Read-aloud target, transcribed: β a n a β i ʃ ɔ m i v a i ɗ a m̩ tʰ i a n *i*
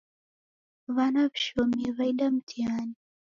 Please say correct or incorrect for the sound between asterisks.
correct